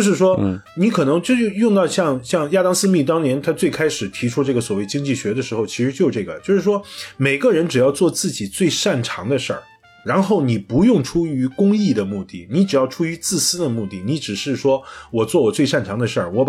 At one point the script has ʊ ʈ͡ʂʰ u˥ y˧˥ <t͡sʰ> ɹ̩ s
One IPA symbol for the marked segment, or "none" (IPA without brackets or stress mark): t͡s